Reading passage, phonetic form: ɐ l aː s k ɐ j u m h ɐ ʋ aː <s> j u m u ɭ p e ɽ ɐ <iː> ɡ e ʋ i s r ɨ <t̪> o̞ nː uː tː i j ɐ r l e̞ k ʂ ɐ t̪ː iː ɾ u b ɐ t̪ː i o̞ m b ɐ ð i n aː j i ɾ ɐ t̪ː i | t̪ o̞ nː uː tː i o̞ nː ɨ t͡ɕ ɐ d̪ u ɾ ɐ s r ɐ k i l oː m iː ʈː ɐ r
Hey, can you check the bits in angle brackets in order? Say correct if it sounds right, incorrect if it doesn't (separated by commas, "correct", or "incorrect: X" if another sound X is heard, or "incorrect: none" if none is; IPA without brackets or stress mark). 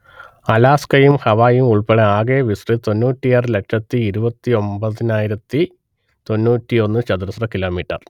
incorrect: none, incorrect: aː, correct